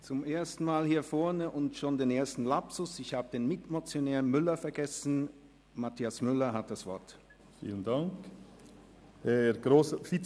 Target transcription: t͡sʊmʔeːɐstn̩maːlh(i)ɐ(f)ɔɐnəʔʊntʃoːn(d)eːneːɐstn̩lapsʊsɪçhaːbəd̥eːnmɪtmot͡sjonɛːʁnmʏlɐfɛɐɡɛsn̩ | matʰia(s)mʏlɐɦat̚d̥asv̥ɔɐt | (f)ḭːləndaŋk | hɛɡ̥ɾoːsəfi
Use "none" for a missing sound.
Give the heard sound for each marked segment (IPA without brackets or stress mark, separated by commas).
iː, f, d, s, f